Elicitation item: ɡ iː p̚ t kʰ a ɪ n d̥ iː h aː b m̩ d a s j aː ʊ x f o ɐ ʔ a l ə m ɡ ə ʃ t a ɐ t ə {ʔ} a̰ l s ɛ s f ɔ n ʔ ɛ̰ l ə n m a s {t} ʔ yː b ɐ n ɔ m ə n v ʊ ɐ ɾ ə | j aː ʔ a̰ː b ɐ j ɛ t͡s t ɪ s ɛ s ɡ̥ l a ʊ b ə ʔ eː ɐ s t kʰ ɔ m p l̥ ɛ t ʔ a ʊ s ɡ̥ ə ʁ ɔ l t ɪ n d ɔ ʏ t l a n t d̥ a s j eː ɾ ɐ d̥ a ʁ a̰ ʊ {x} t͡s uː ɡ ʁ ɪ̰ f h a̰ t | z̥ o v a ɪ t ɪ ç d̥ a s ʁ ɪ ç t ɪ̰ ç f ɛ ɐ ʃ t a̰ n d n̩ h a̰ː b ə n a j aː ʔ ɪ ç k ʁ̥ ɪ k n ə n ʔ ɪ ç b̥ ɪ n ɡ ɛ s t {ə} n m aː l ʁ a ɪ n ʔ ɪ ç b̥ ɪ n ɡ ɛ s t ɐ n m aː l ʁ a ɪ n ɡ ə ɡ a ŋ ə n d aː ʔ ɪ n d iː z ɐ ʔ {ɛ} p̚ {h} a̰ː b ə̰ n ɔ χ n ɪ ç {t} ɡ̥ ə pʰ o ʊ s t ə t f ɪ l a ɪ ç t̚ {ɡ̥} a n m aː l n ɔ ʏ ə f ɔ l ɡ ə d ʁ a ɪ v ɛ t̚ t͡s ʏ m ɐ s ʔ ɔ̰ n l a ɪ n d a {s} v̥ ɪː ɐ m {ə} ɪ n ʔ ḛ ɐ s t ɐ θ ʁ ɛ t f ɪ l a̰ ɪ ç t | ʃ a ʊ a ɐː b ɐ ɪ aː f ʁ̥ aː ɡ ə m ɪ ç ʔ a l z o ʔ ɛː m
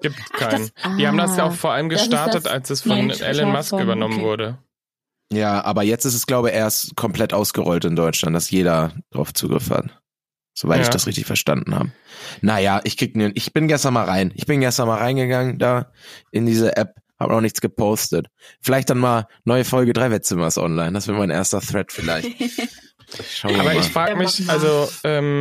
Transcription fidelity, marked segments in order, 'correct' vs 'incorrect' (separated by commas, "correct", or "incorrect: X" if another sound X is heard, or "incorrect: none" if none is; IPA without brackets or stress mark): incorrect: t, incorrect: k, incorrect: f, incorrect: ɐ, correct, correct, incorrect: t͡s, incorrect: d̥, correct, incorrect: a